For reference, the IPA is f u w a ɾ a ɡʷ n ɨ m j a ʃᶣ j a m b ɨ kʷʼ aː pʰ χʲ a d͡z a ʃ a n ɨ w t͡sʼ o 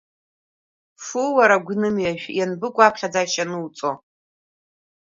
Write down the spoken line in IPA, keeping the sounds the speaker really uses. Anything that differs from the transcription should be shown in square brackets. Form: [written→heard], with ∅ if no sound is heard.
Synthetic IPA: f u w a ɾ a ɡʷ n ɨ m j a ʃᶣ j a [m→n] b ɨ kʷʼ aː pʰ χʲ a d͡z a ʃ a n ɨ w t͡sʼ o